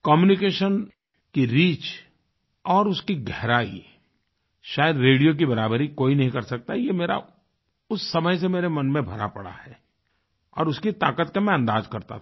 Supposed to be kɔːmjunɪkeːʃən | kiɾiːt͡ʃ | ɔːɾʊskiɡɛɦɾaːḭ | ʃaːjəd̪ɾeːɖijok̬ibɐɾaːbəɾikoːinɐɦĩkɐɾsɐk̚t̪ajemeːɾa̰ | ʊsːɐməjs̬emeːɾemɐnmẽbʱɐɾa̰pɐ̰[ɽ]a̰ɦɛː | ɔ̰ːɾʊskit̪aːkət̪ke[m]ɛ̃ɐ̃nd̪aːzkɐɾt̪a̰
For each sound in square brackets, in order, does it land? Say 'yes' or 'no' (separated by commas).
yes, yes